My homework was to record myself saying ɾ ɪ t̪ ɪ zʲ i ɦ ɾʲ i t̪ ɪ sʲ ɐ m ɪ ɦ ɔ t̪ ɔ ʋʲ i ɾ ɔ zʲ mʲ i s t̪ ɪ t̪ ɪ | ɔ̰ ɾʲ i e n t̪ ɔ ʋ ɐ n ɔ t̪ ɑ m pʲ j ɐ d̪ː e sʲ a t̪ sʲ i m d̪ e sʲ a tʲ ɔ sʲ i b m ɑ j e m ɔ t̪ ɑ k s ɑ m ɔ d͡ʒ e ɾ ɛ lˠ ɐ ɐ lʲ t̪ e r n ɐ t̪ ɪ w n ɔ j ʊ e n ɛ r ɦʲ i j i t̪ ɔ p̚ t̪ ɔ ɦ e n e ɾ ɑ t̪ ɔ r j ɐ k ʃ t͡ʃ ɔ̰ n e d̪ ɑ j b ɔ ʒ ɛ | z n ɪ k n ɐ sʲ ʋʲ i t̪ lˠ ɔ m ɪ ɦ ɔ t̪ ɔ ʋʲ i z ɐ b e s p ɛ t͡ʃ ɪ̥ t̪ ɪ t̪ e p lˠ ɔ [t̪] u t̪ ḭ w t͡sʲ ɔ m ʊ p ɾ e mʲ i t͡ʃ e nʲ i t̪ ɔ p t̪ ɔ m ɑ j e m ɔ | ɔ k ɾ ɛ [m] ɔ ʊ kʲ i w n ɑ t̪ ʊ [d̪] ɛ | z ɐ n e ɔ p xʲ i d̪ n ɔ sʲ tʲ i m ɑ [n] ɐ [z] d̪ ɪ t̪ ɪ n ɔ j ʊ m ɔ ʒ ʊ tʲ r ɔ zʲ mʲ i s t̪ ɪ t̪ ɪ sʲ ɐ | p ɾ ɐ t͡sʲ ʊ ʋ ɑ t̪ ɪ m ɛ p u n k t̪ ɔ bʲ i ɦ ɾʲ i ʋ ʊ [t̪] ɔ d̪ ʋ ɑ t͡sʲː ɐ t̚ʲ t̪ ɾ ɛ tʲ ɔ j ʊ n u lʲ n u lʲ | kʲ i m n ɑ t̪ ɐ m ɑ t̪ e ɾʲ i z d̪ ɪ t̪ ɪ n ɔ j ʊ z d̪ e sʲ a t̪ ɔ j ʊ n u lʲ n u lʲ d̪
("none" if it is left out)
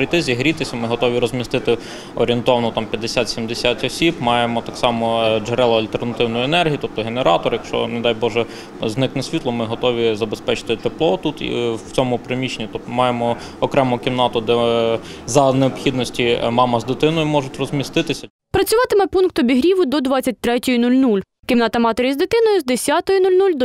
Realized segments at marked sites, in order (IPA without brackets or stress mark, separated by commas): t̪, m, d̪, m, z, d̪